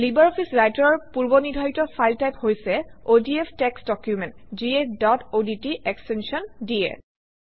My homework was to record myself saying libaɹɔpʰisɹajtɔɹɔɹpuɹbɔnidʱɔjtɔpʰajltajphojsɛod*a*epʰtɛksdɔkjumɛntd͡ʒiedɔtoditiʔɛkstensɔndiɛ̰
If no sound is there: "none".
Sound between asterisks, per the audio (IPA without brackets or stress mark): i